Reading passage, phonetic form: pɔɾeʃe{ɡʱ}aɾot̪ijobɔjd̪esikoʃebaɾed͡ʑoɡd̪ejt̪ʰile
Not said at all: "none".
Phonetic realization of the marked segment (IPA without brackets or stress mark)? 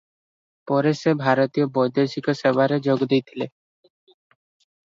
bʱ